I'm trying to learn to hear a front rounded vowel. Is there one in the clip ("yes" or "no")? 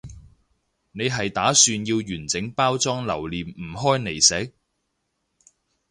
yes